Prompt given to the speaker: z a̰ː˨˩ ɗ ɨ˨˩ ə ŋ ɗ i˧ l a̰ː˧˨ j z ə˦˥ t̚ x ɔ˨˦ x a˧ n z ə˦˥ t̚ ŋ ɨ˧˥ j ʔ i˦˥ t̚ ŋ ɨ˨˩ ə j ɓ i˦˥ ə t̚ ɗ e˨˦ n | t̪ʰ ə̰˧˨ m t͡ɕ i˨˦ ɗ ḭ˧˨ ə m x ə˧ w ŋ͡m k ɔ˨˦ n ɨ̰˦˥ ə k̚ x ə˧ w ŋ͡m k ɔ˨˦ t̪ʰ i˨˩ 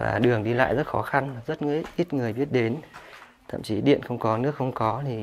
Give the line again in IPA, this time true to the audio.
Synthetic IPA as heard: v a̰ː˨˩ ɗ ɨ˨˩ ə ŋ ɗ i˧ l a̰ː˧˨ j z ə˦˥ t̚ x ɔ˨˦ x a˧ n z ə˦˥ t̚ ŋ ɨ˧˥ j ʔ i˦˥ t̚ ŋ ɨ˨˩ ə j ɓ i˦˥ ə t̚ ɗ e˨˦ n | t̪ʰ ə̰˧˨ m t͡ɕ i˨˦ ɗ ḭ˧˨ ə n x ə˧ w ŋ͡m k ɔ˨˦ n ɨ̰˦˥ ə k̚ x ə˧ w ŋ͡m k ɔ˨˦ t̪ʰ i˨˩

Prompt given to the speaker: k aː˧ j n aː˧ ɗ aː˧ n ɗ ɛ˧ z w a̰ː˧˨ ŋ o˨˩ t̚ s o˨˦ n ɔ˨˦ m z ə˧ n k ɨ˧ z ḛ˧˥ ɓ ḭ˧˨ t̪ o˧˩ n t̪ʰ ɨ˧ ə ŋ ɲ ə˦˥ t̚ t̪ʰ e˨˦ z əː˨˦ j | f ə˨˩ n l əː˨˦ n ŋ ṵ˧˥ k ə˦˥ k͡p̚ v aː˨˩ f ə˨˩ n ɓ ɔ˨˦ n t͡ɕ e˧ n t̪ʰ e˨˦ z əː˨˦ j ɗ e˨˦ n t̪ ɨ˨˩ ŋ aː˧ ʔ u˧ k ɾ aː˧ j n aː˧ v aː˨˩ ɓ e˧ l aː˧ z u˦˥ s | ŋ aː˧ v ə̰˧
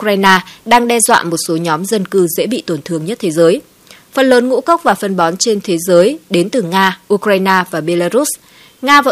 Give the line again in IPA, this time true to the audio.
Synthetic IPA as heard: k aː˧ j n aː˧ ɗ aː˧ ŋ ɗ ɛ˧ z w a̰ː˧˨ m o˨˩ t̚ s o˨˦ ɲ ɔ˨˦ m z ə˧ n k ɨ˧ z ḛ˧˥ ɓ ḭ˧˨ t̪ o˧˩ n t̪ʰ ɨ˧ ə ŋ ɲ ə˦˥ t̚ t̪ʰ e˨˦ z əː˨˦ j | f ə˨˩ n l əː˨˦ n ŋ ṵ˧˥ k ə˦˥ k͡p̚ v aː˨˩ f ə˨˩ n ɓ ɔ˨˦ n t͡ɕ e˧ n t̪ʰ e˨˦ z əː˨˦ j ɗ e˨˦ n t̪ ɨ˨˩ ŋ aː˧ ʔ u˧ k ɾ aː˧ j n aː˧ v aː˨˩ ɓ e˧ l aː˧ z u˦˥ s | ŋ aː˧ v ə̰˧

